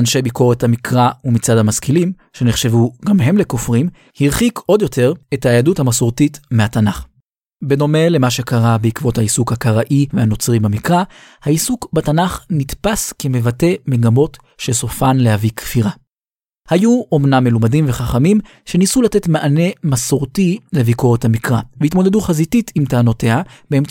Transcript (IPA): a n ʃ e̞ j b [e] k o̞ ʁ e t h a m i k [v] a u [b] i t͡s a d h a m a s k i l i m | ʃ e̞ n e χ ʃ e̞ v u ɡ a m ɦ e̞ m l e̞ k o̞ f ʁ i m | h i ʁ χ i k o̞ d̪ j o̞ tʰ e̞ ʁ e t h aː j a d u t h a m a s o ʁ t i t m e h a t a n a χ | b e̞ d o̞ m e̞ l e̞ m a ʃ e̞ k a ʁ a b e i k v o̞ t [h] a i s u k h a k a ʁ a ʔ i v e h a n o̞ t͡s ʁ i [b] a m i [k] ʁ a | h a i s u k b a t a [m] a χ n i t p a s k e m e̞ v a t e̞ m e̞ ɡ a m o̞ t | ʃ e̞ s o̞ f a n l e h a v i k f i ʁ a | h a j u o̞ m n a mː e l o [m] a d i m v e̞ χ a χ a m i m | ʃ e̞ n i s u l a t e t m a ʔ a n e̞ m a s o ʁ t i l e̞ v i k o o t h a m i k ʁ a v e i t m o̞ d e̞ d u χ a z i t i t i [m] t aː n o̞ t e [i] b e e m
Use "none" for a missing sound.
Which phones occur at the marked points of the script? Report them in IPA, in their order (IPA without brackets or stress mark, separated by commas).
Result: i, ʁ, m, h, b, k, n, m, m, a